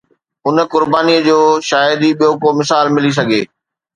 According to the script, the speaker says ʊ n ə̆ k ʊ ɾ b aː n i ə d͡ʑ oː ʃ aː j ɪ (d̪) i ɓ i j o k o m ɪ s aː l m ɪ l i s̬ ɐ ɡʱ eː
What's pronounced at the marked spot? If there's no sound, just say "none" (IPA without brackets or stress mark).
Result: d̪